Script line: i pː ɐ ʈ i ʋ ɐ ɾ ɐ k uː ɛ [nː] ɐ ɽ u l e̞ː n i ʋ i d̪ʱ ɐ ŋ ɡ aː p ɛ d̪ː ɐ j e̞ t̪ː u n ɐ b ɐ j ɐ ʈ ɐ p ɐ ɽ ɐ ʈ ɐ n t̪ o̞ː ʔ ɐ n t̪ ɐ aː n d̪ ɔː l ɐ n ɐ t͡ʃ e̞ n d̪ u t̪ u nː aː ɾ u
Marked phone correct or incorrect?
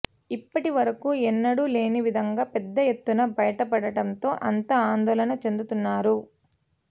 correct